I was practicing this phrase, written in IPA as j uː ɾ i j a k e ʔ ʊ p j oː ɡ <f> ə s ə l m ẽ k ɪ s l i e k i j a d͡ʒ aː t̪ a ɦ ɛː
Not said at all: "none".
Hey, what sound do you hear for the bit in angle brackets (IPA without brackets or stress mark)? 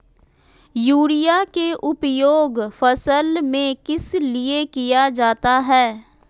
f